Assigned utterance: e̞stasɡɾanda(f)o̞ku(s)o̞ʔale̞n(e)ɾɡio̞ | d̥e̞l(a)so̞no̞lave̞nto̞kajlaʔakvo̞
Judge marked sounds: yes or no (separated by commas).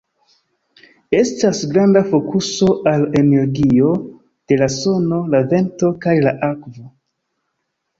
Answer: yes, yes, yes, yes